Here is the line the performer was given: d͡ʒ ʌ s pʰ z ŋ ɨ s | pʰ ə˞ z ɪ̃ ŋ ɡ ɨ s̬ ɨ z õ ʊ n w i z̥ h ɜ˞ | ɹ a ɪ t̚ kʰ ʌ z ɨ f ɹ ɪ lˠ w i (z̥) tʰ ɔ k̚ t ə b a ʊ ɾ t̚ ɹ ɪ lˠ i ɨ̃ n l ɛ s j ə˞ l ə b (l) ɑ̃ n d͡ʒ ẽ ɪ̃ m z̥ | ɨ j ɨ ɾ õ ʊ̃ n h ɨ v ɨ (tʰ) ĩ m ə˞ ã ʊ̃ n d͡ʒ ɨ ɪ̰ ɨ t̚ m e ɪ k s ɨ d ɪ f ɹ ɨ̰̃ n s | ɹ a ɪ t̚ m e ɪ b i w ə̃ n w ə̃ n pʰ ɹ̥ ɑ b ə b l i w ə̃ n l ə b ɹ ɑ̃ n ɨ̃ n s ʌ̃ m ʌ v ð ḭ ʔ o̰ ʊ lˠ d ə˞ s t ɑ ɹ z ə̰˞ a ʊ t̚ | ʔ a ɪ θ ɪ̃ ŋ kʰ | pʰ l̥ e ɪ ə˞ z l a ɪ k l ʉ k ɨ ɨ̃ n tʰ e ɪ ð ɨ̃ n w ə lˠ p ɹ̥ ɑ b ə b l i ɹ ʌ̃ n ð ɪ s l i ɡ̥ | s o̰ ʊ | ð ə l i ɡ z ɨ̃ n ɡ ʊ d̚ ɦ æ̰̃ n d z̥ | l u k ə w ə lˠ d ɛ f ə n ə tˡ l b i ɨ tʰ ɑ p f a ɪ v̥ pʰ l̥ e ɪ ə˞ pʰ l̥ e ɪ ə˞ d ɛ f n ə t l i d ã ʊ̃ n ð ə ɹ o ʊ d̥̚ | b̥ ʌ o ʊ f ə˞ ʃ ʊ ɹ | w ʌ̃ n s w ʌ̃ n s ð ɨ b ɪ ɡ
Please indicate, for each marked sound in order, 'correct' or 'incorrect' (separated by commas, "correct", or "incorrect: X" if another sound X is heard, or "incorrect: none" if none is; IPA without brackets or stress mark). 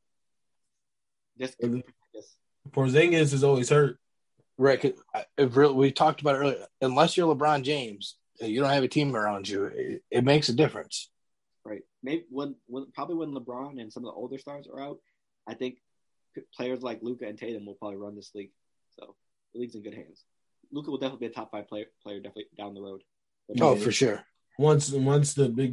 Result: incorrect: v̥, incorrect: ɹ, correct